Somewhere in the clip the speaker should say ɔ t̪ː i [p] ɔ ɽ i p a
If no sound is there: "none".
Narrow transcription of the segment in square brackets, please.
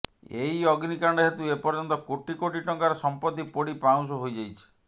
p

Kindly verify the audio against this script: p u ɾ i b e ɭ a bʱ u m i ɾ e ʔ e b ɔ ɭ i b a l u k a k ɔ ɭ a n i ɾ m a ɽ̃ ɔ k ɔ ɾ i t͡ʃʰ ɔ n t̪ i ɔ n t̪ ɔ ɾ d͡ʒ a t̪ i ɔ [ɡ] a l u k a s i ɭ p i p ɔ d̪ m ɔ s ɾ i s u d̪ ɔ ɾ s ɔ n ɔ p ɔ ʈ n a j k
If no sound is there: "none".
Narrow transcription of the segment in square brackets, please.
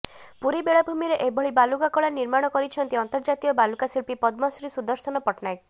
b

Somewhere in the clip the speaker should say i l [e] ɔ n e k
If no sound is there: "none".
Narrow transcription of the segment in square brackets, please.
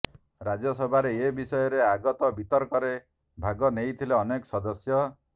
e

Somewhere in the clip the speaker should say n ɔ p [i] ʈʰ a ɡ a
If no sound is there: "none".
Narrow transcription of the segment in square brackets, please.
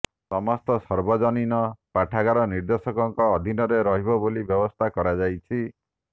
a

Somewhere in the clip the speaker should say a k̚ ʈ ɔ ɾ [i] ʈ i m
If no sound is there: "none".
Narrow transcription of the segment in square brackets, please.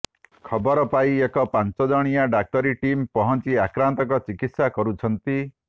i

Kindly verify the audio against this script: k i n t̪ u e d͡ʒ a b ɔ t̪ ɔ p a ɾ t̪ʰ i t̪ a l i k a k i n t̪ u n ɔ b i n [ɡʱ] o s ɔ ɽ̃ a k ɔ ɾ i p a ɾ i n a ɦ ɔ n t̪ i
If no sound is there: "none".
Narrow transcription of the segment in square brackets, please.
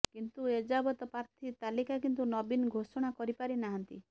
ɡʱ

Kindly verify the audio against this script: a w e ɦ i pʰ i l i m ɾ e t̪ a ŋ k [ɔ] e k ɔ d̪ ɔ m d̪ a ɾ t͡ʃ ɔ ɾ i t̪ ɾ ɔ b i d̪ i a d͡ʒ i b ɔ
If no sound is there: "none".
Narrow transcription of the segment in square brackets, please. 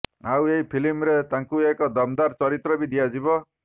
u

